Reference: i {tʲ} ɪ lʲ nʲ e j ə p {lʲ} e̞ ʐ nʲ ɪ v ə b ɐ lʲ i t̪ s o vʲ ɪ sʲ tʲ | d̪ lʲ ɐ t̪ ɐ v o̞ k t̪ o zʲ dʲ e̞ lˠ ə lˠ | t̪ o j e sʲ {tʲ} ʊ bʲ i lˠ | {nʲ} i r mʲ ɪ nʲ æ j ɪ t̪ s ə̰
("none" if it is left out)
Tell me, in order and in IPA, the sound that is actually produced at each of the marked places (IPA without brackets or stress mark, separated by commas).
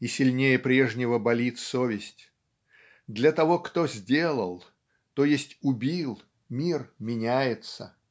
sʲ, ɾʲ, tʲ, mʲ